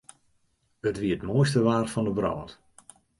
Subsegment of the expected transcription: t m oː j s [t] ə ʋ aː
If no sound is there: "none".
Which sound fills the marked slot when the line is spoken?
t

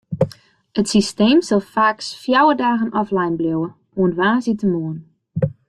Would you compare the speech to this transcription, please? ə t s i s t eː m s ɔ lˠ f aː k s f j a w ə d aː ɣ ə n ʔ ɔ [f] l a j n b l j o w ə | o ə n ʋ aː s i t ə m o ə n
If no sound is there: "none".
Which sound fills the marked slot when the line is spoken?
f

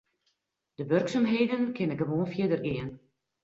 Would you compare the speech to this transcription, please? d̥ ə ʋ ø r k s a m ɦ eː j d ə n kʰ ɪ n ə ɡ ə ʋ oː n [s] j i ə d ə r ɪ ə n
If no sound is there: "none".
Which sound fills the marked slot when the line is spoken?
f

